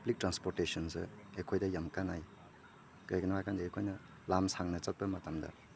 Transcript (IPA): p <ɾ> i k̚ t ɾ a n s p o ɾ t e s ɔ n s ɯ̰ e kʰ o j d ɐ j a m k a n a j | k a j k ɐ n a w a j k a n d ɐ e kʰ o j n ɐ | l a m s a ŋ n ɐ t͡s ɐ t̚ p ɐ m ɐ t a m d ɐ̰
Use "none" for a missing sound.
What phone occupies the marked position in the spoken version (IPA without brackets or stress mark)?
l